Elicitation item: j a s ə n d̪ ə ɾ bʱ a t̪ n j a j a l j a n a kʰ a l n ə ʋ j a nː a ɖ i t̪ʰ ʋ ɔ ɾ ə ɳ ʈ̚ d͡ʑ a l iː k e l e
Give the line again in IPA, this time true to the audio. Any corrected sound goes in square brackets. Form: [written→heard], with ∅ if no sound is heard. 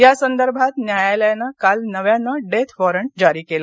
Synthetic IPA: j a s ə n d̪ ə ɾ bʱ a t̪ n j a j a l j a n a [kʰ→k] a l n ə ʋ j a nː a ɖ [i→e] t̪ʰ ʋ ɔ ɾ ə ɳ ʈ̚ d͡ʑ a [l→ɾ] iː k e l [e→a]